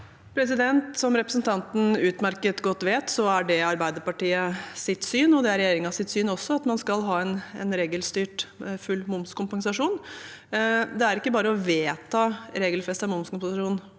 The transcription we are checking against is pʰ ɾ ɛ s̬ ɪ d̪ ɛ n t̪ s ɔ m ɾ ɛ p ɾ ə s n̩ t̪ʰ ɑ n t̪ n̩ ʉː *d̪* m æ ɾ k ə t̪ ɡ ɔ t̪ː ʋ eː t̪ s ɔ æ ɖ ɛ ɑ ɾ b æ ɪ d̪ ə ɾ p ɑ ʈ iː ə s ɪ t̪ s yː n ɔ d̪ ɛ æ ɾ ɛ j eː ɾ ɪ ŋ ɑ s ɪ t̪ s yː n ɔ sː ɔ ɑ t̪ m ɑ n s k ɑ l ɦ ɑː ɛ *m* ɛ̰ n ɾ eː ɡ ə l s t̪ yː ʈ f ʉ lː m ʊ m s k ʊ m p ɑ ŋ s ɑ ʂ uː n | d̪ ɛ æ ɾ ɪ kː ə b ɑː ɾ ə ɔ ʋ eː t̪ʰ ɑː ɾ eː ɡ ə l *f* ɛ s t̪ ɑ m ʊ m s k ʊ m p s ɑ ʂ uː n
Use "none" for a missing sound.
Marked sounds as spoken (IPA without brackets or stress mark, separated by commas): t̪, n, f